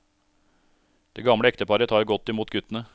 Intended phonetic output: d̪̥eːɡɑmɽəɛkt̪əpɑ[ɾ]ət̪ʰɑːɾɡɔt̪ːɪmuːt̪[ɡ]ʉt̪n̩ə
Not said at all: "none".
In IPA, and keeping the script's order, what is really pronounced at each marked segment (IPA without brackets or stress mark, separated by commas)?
ɾ, ɡ